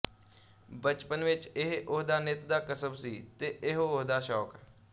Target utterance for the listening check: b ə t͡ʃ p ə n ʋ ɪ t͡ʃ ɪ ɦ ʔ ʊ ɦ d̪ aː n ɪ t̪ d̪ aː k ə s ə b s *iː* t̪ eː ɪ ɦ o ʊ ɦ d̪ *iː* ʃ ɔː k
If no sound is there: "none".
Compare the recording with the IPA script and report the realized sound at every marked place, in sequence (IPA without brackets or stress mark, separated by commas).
iː, aː